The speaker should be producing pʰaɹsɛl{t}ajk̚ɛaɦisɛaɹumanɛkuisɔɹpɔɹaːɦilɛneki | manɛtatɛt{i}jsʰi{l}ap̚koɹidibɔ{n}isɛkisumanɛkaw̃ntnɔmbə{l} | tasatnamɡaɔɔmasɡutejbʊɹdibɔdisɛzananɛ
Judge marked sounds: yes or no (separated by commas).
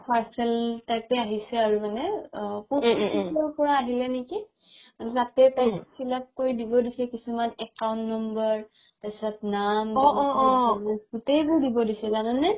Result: yes, no, yes, no, no